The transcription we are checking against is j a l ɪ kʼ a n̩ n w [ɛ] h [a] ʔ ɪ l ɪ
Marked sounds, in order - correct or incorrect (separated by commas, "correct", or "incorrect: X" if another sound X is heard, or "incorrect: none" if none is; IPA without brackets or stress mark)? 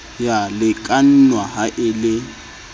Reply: incorrect: a, correct